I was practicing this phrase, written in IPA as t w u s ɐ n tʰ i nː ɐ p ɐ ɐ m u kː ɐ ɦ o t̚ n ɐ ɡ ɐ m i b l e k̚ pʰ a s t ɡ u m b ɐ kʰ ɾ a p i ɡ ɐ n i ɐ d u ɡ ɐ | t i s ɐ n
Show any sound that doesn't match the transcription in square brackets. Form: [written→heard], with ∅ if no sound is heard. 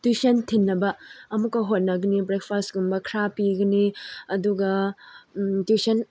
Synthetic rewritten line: t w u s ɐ n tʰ i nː ɐ [p→b] ɐ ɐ m u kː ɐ ɦ o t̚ n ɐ ɡ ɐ [m→n] i b [l→ɾ] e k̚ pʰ a s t ɡ u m b ɐ kʰ ɾ a p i ɡ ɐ n i ɐ d u ɡ ɐ | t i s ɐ n

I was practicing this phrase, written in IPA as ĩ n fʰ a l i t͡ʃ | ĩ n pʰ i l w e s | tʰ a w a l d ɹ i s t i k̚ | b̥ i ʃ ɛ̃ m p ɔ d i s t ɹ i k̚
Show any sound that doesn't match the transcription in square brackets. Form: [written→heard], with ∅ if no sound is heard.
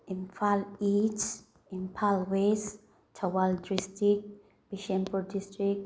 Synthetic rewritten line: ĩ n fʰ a l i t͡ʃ | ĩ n pʰ [i→a] l w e s | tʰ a w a l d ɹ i s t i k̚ | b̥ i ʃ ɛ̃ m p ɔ d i s t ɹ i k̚

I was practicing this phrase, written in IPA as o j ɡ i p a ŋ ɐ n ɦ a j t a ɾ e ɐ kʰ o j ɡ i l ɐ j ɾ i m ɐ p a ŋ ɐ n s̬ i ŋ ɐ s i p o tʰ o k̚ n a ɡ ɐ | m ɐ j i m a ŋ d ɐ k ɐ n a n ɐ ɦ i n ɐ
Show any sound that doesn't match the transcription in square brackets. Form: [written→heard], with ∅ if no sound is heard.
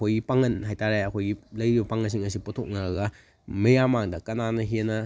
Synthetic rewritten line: o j ɡ i p a ŋ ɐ n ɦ a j t a ɾ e ɐ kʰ o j ɡ i l ɐ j ɾ i [m→b] ɐ p a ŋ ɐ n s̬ i ŋ ɐ s i p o tʰ o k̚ n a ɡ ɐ | m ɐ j [i→a] m a ŋ d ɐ k ɐ n a n ɐ ɦ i n ɐ

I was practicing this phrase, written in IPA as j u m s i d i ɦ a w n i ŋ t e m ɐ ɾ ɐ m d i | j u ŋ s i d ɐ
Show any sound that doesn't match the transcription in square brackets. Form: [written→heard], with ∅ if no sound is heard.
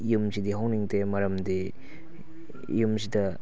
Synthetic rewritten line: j u m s i d i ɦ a w n i ŋ t e m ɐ ɾ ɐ m d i | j u [ŋ→m] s i d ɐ

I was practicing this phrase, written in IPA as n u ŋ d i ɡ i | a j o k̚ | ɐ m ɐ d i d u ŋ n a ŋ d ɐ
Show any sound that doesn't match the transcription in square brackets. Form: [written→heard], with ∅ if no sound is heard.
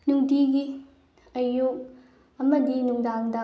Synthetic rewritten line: n u ŋ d i ɡ i | [a→ɐ] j [o→u] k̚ | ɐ m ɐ d i [d→n] u ŋ [n→d] a ŋ d ɐ

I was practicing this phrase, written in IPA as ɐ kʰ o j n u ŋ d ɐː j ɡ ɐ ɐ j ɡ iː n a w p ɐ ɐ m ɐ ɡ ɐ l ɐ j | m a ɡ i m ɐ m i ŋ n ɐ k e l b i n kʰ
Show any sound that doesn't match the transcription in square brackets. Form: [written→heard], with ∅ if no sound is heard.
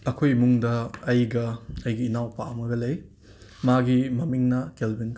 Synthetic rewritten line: ɐ kʰ o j [n→m] u ŋ d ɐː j ɡ ɐ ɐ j ɡ iː n a w p [ɐ→a] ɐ m ɐ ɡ ɐ l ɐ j | m a ɡ i m ɐ m i ŋ n ɐ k e l b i n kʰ

